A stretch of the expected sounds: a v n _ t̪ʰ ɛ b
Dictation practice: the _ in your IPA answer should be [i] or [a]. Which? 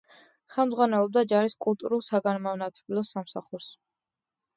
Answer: a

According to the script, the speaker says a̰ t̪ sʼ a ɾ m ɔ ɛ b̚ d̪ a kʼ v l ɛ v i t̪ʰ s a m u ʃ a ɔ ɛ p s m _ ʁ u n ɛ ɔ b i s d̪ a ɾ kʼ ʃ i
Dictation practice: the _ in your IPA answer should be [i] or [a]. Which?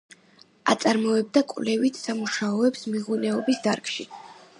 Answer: i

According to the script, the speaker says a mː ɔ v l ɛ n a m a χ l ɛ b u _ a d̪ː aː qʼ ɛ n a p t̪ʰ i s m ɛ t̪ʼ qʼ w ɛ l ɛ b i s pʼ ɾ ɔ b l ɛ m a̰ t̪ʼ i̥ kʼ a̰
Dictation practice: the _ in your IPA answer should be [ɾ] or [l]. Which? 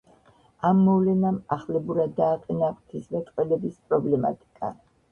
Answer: ɾ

